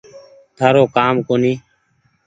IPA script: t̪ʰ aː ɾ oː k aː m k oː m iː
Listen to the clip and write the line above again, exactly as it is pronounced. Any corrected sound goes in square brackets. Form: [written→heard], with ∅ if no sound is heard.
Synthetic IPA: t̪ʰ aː ɾ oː k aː m k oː [m→n] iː